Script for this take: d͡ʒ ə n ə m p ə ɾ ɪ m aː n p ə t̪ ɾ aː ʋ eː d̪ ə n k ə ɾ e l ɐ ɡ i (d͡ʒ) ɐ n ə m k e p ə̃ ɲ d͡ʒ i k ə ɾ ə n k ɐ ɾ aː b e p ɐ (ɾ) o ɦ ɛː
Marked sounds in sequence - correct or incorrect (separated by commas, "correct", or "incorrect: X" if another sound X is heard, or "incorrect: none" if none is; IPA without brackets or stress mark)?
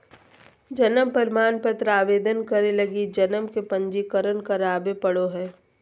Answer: correct, incorrect: ɽ